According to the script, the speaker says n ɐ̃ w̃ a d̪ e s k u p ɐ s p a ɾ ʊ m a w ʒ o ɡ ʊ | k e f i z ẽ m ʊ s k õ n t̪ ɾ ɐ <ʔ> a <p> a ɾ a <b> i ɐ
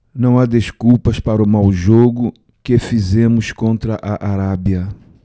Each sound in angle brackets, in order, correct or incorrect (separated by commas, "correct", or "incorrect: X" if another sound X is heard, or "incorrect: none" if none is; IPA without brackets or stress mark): correct, incorrect: ʔ, correct